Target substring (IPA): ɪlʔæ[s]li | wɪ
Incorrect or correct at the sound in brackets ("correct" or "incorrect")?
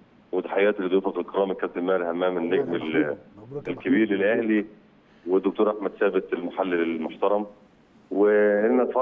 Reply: incorrect